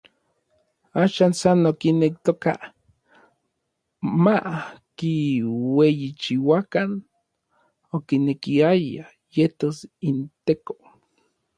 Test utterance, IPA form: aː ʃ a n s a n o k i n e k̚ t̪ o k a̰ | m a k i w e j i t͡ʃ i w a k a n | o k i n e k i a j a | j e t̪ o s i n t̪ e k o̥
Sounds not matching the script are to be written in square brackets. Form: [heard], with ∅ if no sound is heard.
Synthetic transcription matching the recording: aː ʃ a n s a n o k i n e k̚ t̪ o k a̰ | m a k i w e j i t͡ʃ i w a k a n | o k i n e k i a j a | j e t̪ o s i n t̪ e k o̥